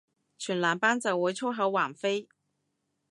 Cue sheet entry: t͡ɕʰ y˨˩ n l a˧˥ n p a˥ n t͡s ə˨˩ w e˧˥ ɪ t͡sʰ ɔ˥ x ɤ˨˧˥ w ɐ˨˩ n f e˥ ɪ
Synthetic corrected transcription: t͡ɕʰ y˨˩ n l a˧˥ n p a˥ n t͡s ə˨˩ w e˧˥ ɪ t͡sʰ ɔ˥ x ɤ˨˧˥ w a˨˩ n f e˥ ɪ